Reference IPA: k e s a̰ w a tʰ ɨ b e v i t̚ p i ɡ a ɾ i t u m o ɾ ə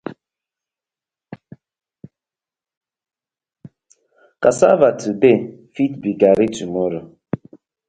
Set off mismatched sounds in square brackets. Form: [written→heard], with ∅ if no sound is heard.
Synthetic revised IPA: k [e→a] s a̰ [w→v] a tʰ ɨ b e [v→f] i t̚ [p→b] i ɡ a ɾ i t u m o ɾ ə